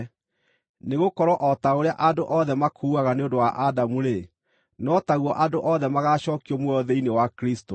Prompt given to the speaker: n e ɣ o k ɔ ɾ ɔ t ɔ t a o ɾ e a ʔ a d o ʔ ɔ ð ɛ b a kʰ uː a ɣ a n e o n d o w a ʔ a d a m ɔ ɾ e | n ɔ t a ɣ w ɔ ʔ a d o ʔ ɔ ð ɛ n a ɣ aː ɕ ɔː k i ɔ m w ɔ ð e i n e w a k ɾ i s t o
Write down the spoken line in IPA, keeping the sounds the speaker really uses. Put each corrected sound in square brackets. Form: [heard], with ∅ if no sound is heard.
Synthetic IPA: n e ɣ o k ɔ ɾ ɔ [ʔ] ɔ t a o ɾ e a ʔ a d o ʔ ɔ ð ɛ [m] a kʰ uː a ɣ a n e o n d o w a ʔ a d a m [u] ɾ e | n ɔ t a ɣ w ɔ ʔ a d o ʔ ɔ ð ɛ [m] a ɣ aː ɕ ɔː k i ɔ m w ɔ ð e i n e w a k ɾ i s t o